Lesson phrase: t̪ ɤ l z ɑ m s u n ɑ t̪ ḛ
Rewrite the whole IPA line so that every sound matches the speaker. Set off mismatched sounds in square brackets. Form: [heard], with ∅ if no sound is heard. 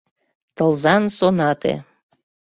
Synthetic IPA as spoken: t̪ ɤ l z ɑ [n] s [o] n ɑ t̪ ḛ